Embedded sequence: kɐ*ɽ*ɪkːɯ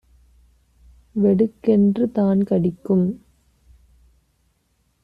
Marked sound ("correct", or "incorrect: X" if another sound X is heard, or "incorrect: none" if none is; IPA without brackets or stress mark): correct